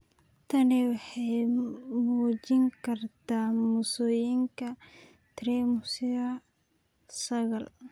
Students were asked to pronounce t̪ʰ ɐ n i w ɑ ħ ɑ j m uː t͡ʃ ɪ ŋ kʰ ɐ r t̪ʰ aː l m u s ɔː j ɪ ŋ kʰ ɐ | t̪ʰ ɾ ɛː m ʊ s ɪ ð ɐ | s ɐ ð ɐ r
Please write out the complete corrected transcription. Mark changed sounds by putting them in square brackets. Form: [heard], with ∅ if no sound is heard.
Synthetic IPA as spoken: t̪ʰ ɐ n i w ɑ ħ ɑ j m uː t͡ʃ ɪ ŋ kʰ ɐ r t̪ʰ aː [∅] m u s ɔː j ɪ ŋ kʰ ɐ | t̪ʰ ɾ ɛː m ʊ s ɪ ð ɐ | s ɐ [ɣ] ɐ [l]